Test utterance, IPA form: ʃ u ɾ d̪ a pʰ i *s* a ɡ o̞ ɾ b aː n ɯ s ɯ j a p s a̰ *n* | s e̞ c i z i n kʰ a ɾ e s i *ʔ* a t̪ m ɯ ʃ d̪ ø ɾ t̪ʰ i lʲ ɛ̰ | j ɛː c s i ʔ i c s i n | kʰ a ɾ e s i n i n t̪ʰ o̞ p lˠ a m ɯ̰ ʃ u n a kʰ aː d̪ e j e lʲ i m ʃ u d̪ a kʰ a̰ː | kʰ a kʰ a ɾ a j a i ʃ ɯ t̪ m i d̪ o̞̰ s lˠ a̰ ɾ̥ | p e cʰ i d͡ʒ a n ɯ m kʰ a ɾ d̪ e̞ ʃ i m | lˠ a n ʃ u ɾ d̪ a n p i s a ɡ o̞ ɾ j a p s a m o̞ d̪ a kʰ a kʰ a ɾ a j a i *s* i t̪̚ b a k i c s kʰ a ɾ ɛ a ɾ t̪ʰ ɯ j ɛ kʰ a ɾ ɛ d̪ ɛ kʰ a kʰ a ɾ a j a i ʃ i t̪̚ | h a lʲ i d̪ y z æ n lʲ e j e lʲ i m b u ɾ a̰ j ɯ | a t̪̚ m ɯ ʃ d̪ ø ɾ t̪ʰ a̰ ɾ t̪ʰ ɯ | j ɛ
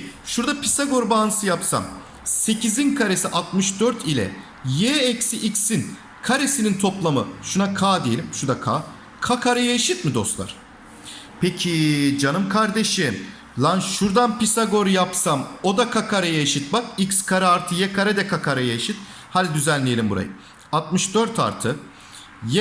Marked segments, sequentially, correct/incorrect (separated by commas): correct, incorrect, correct, incorrect